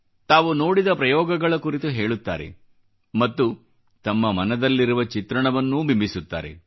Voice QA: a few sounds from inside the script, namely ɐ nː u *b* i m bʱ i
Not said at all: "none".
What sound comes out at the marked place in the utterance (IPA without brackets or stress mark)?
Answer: b